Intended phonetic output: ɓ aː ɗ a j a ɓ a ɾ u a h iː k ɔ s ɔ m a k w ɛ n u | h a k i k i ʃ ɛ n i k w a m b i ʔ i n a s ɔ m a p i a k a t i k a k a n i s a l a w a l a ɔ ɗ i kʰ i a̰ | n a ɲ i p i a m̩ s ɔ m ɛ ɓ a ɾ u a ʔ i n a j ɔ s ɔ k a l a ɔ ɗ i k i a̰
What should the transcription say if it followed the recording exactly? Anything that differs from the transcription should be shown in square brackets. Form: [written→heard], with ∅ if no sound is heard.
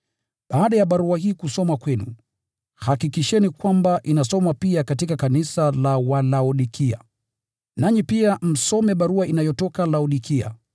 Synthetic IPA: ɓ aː ɗ a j a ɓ a ɾ u a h iː k [ɔ→u] s ɔ m a k w ɛ n u | h a k i k i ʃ ɛ n i k w a m b [i→a] ʔ i n a s ɔ m a p i a k a t i k a k a n i s a l a w a l a ɔ ɗ i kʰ i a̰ | n a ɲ i p i a m̩ s ɔ m ɛ ɓ a ɾ u a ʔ i n a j ɔ [s→t] ɔ k a l a ɔ ɗ i k i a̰